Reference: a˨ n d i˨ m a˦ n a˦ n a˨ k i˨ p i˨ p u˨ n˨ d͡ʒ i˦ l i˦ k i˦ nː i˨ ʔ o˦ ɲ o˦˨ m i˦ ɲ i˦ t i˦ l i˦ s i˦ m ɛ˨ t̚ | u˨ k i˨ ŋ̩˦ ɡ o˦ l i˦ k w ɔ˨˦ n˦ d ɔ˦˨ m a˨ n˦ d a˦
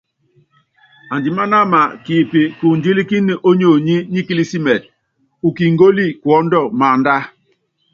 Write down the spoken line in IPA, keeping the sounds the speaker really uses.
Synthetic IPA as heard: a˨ n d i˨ m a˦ n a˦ m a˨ k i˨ p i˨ k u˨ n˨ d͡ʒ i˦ l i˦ k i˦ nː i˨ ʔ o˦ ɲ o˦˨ ɲ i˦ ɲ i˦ k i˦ l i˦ s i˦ m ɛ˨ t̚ | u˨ k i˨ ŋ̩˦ ɡ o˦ l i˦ k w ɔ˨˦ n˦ d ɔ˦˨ m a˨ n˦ d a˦